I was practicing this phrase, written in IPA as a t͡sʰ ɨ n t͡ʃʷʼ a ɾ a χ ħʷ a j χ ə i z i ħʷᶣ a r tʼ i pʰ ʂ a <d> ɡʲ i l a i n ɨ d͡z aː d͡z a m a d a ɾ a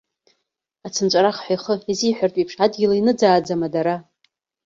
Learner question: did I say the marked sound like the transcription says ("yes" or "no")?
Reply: yes